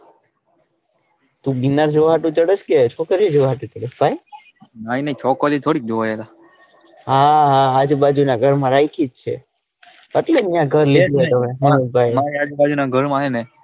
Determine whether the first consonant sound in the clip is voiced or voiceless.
voiceless